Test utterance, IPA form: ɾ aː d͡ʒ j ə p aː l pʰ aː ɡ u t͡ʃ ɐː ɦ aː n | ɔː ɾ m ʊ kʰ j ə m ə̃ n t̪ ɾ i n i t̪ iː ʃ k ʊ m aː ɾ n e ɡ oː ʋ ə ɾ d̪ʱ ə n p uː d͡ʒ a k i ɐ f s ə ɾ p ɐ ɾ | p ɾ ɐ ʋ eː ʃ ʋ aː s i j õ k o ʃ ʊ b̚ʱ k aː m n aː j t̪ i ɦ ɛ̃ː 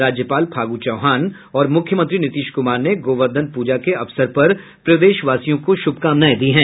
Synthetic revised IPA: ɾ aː d͡ʒ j ə p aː l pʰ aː ɡ u t͡ʃ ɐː ɦ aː n | ɔː ɾ m ʊ kʰ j ə m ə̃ n t̪ ɾ i n ɪ t̪ iː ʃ k ʊ m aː ɾ n e ɡ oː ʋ ə ɾ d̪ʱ ə n p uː d͡ʒ a k e ɐ f s ə ɾ p ɐ ɾ | p ɾ ɐ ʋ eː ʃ ʋ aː s i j õ k o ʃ ʊ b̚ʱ k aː m n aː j d̪ i ɦ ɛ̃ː